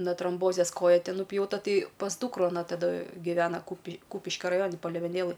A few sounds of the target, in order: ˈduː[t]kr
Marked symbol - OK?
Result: no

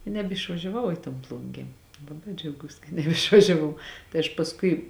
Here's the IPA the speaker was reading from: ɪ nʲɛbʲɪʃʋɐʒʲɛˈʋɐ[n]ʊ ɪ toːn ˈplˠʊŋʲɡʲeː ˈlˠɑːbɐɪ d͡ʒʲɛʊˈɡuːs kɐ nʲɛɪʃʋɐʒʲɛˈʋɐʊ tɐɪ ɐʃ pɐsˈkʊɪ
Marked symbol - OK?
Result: no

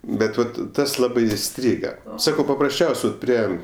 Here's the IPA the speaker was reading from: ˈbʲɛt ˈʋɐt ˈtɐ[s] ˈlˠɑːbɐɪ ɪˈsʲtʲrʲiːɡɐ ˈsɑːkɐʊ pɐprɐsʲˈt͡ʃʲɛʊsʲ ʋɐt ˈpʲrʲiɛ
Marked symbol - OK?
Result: yes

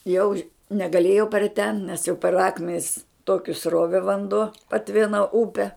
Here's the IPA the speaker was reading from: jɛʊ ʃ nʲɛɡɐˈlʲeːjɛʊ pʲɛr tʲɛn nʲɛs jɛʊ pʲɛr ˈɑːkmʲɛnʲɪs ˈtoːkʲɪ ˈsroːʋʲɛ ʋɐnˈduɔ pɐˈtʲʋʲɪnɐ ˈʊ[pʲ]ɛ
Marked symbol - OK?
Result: yes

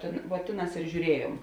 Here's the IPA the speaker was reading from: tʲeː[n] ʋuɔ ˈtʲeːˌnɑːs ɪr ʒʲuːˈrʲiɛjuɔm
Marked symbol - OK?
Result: yes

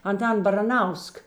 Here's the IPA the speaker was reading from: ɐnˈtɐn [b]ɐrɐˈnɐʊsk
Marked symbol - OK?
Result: yes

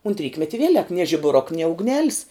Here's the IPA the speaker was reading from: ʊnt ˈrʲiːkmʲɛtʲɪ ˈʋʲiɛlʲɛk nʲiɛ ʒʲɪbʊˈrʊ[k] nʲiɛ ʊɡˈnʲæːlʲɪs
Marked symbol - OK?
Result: yes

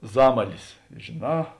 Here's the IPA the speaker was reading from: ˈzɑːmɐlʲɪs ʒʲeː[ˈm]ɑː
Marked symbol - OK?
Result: no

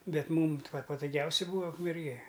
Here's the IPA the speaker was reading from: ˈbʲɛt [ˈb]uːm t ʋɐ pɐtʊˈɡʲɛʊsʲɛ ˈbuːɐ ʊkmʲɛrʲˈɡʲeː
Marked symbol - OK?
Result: no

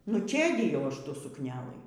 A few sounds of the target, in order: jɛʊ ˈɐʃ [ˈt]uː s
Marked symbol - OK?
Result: yes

